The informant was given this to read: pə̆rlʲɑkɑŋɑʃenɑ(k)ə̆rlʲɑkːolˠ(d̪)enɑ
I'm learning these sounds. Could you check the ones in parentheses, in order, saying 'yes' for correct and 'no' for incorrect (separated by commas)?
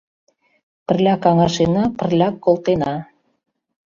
no, no